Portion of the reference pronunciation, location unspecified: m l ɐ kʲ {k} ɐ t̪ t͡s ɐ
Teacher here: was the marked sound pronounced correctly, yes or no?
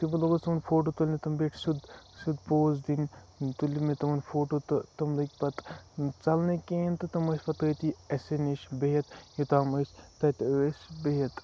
no